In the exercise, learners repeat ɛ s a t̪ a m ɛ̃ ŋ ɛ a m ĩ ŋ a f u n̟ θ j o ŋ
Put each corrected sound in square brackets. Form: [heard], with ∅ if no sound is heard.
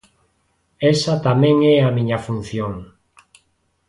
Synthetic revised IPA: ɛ s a t̪ a m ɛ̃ ŋ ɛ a m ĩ [ɲ] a f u n̟ θ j o ŋ